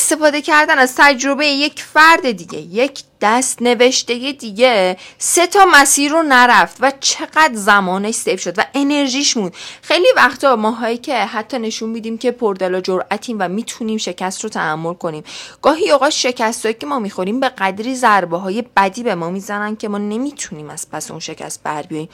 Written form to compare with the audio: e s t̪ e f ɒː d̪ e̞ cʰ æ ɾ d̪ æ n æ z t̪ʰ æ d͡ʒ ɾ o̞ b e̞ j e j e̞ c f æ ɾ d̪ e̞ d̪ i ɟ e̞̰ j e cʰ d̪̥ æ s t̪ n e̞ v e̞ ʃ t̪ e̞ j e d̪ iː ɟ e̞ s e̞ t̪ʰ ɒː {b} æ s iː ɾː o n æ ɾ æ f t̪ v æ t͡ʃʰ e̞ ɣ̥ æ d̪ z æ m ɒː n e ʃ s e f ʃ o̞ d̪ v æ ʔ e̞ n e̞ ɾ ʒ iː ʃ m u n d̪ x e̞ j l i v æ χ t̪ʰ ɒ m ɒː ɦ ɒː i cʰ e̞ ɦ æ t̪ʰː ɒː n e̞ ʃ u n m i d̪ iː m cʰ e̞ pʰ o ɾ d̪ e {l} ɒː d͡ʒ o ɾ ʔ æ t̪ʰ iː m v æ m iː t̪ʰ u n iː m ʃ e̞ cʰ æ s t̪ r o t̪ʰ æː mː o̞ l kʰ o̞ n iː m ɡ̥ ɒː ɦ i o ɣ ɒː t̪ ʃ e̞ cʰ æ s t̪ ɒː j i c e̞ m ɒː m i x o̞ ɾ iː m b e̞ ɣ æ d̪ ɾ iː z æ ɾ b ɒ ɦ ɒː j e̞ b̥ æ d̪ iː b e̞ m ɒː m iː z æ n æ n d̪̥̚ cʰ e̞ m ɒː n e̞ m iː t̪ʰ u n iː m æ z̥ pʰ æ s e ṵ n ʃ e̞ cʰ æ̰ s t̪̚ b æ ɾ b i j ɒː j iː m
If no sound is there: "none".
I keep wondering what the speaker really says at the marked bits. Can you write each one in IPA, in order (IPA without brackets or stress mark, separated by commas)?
m, l